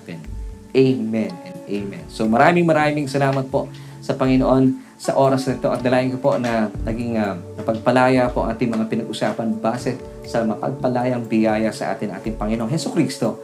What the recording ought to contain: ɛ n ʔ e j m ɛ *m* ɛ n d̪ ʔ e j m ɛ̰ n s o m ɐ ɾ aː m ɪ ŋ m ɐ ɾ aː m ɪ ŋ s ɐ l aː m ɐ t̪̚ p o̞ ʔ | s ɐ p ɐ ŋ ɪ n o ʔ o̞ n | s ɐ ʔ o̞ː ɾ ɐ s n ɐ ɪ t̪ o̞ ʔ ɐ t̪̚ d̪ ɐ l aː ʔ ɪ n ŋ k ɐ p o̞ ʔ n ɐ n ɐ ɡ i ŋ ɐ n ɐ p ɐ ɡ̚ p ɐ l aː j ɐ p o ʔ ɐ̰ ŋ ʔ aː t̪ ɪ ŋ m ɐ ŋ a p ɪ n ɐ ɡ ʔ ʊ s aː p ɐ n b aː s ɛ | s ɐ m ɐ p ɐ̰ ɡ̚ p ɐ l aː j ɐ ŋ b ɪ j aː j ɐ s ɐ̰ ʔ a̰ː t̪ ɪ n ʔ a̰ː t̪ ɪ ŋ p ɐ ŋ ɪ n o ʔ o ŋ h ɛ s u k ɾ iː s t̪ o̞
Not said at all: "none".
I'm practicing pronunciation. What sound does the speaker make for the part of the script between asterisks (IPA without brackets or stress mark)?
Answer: n